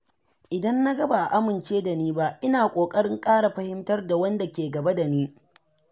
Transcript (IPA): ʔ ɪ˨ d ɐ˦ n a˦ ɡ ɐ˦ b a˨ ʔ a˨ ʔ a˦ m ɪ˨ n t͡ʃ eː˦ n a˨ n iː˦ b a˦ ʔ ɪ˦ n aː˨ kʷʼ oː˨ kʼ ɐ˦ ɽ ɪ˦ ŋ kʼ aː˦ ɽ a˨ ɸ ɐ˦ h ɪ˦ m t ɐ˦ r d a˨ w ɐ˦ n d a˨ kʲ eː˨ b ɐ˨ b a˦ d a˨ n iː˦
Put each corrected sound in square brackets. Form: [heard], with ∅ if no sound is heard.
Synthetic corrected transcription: ʔ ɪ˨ d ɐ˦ [nː] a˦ ɡ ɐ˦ b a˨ ʔ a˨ ʔ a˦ m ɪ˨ n t͡ʃ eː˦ [d] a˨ n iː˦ b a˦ ʔ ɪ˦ n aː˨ kʷʼ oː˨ kʼ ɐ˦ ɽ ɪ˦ ŋ kʼ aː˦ ɽ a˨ ɸ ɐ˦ h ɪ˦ m t ɐ˦ r d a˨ w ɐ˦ n d a˨ kʲ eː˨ [ɡ] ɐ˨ b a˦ d a˨ n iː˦